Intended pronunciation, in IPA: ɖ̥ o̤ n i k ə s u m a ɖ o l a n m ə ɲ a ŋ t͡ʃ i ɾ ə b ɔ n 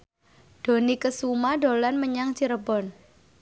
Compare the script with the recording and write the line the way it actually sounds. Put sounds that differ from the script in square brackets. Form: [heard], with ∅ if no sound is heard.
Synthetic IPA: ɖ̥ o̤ n i k ə s u m a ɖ o l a n m ə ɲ a ŋ t͡ʃ i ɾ ə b ɔ n